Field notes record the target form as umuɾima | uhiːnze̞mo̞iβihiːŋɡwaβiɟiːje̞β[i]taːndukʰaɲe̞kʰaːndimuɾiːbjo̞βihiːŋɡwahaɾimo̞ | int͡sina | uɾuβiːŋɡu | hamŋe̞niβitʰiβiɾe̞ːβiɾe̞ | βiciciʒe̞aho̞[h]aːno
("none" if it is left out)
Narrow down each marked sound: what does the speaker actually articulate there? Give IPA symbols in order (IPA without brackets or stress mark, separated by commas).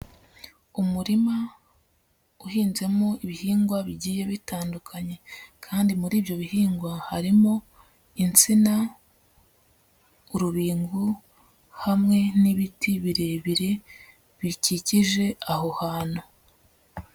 i, h